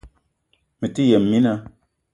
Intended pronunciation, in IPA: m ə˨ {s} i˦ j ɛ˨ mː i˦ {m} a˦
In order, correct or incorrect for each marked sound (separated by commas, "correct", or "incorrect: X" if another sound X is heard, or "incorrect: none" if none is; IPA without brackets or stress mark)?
incorrect: t, incorrect: n